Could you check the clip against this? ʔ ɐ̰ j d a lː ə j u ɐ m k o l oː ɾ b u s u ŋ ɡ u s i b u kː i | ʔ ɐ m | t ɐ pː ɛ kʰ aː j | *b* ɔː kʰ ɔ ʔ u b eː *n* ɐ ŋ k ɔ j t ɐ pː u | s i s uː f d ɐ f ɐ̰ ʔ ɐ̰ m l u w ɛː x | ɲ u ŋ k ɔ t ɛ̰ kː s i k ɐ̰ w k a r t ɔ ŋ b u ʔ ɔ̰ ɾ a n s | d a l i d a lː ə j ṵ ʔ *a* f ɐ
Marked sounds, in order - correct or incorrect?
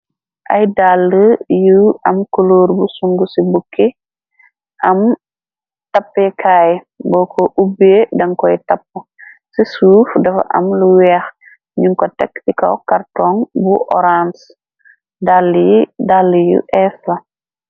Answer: correct, incorrect, incorrect

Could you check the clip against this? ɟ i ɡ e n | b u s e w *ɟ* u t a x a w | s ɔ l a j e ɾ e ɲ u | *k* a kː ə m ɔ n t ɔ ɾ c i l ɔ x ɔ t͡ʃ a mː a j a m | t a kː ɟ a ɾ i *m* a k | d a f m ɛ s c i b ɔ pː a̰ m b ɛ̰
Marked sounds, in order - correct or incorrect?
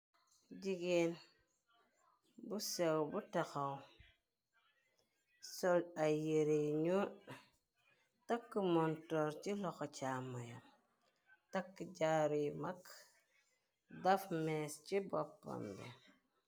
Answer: incorrect, incorrect, correct

